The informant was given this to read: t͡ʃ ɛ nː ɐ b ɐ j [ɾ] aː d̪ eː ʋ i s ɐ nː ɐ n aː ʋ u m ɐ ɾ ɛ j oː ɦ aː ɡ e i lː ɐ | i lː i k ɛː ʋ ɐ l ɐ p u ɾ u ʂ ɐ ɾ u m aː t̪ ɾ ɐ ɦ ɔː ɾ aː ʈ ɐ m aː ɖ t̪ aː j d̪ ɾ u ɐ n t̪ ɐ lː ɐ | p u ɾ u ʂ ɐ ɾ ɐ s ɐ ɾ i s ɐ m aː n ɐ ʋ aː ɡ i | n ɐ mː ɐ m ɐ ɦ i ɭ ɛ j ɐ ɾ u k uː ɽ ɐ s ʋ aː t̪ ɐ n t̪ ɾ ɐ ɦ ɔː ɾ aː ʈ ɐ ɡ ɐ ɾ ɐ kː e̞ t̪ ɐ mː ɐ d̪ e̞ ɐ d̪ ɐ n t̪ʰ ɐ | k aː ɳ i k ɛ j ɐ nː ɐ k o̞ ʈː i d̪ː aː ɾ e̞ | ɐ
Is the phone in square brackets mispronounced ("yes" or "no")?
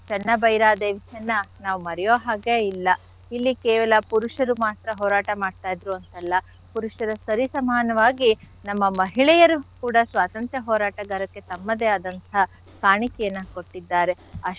no